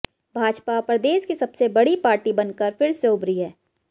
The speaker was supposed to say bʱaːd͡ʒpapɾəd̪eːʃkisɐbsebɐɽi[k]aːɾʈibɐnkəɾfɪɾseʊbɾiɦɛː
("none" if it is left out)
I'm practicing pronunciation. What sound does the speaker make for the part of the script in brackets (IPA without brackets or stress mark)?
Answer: p